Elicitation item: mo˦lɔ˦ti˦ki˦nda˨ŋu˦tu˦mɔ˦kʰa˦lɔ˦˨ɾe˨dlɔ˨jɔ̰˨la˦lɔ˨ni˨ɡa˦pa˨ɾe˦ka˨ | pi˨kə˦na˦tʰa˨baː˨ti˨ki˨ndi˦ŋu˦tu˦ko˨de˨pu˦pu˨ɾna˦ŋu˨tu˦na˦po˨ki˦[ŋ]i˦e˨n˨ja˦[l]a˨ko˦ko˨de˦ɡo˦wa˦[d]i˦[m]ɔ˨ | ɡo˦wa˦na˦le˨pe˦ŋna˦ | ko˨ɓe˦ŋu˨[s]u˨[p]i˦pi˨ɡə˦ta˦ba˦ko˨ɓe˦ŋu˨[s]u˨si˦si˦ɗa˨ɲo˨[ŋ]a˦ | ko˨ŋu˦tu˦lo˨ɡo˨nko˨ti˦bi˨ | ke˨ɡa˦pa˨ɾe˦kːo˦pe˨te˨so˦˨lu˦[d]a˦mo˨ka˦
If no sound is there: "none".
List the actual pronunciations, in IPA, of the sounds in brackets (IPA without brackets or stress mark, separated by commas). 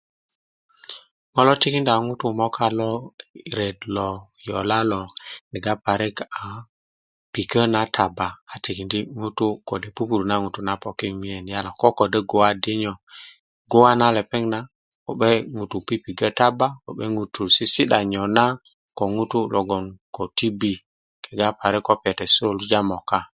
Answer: m, l, d, ɲ, t, p, t, n, d͡ʒ